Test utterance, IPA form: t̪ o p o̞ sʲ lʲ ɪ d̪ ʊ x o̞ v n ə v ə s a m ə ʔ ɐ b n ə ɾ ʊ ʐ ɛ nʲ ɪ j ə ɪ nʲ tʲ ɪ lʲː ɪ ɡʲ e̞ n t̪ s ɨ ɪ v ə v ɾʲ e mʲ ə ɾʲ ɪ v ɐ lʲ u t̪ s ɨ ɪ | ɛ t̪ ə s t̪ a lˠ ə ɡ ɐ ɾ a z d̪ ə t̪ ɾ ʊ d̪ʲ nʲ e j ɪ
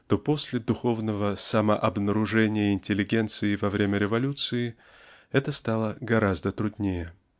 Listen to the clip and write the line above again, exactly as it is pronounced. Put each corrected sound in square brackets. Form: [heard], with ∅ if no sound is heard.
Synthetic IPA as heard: t̪ o p o̞ sʲ lʲ ɪ d̪ ʊ x o̞ v n ə v ə s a m ə ʔ ɐ b n ə ɾ ʊ ʐ ɛ nʲ ɪ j ə ɪ nʲ tʲ ɪ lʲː ɪ ɡʲ e̞ n t̪ s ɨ ɪ v [ɐ] v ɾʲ e mʲ ə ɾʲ ɪ v ɐ lʲ u t̪ s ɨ ɪ | ɛ t̪ ə s t̪ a lˠ ə ɡ ɐ ɾ a z d̪ ə t̪ ɾ ʊ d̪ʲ nʲ e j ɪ